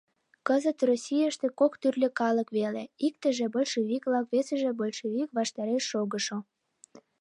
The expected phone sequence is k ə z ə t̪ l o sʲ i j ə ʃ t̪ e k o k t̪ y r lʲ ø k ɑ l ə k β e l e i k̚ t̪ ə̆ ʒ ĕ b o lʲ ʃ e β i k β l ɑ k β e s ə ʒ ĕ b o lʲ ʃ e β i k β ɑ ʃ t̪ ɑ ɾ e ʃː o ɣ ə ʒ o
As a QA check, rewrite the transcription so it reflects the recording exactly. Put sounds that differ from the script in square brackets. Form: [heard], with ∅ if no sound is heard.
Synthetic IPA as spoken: k ə z ə t̪ [r] o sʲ i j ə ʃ t̪ e k o k t̪ y r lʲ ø k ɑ l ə k β e l e i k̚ t̪ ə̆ ʒ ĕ b o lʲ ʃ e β i k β l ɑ k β e s ə ʒ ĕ b o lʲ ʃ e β i k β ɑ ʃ t̪ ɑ ɾ e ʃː o ɣ ə [ʃ] o